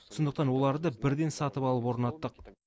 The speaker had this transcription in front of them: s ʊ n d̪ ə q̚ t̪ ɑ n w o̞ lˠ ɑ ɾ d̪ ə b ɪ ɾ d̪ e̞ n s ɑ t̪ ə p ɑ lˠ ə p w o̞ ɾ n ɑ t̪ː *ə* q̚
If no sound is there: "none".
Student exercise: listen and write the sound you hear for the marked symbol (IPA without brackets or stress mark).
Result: ə